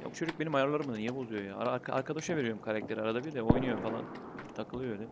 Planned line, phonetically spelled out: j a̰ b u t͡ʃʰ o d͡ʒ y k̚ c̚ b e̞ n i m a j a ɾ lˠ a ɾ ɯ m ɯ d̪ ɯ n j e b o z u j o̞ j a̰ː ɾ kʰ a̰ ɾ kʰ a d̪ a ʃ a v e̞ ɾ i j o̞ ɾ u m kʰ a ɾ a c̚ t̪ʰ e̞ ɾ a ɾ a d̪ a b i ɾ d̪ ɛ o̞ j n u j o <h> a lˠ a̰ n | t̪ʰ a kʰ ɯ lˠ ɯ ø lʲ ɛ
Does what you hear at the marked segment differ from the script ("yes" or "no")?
yes